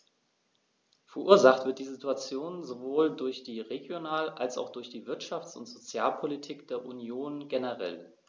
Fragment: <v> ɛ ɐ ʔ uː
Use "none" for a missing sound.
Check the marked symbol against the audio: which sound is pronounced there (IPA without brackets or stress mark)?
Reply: f